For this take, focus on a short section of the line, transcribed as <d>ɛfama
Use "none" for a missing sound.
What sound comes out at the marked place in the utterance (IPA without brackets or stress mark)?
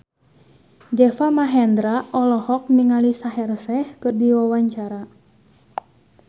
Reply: d͡ʒ